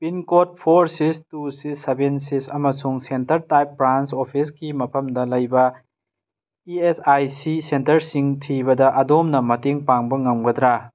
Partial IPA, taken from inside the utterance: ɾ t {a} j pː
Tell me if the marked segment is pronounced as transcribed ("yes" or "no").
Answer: yes